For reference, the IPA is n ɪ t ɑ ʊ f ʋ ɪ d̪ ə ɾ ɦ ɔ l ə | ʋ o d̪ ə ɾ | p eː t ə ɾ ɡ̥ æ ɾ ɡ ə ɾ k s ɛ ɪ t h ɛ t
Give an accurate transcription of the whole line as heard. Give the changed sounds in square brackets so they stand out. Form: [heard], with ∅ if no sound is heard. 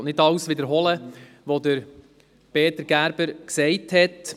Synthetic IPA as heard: n ɪ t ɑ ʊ [s] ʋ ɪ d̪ ə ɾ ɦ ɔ l ə | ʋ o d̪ ə ɾ | p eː t ə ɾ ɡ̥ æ ɾ [b] ə ɾ k s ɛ ɪ t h ɛ t